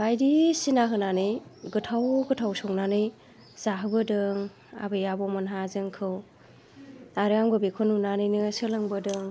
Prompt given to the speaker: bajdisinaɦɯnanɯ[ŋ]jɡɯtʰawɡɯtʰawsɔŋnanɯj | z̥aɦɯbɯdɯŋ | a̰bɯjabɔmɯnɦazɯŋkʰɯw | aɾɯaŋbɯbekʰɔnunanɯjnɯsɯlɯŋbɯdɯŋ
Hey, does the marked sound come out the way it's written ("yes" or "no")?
no